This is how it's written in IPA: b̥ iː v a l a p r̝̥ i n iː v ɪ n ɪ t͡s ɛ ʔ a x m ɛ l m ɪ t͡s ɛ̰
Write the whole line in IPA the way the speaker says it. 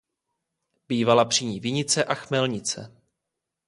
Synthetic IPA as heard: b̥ iː v a l a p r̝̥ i ɲ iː v ɪ ɲ ɪ t͡s ɛ ʔ a x m ɛ l ɲ ɪ t͡s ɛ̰